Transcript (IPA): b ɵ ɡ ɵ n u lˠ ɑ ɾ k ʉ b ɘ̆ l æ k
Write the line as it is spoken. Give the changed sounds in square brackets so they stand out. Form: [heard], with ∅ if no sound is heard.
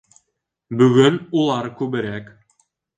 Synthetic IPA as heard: b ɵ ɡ ɵ n u lˠ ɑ ɾ k ʉ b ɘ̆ [ɾ] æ k